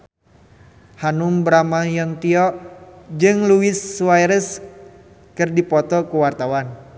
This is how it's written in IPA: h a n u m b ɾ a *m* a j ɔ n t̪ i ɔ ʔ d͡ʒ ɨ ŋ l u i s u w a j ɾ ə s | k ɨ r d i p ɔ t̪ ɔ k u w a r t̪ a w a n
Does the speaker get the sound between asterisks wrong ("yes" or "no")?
no